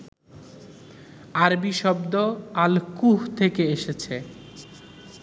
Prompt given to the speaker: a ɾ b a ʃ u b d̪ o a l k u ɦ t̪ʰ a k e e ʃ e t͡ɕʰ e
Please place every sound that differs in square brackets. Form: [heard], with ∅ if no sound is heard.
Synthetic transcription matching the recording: a ɾ b [i] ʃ [ɔ] b d̪ o a l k u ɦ t̪ʰ [e] k e e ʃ e t͡ɕʰ e